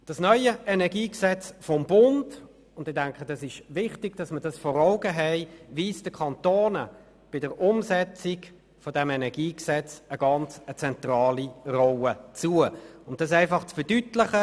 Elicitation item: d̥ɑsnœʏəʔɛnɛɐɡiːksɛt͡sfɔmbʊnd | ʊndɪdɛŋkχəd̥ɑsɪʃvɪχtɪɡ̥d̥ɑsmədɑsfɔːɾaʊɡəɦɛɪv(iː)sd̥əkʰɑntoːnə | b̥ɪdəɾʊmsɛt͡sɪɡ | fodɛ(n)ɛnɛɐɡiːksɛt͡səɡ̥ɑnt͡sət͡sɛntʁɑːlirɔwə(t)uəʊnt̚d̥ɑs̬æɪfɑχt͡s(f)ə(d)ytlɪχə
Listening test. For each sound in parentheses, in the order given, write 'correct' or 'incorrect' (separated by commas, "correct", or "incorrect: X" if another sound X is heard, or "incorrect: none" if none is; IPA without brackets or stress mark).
correct, incorrect: m, incorrect: t͡s, correct, correct